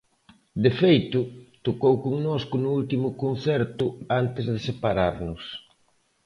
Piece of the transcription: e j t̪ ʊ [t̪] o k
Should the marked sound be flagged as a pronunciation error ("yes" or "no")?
no